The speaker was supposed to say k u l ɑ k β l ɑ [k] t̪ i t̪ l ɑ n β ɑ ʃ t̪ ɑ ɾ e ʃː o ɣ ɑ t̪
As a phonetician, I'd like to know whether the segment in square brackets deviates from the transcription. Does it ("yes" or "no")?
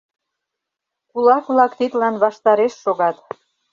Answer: no